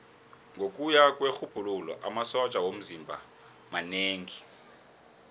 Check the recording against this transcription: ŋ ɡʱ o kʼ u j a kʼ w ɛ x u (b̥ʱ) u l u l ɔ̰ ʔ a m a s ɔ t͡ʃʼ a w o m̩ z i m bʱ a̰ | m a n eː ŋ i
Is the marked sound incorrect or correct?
correct